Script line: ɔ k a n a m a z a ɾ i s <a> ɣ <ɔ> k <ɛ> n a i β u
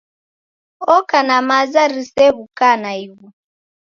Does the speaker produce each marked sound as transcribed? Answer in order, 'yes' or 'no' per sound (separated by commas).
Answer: no, no, no